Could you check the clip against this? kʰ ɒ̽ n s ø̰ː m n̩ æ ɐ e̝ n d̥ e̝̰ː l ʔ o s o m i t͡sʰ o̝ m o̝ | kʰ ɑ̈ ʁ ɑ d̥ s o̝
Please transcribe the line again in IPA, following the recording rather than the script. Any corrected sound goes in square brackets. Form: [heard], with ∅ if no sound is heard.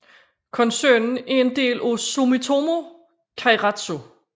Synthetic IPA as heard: kʰ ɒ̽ n s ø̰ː [n] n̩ æ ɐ e̝ n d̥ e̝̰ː l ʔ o s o m i t͡sʰ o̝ m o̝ | kʰ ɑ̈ ʁ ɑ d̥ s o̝